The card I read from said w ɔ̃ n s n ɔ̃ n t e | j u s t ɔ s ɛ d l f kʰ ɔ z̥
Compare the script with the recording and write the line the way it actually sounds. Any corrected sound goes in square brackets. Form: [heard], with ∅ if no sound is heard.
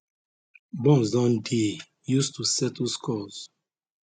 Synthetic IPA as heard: [b] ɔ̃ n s [d] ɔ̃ n [d] e | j u s t [u] s ɛ [t] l [s] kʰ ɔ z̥